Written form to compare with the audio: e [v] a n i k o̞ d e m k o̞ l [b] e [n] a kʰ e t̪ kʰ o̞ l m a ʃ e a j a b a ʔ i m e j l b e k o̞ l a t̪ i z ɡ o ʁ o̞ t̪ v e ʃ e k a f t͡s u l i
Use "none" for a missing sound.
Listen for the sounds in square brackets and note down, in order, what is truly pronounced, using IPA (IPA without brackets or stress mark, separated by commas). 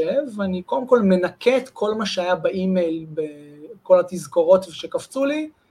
v, m, n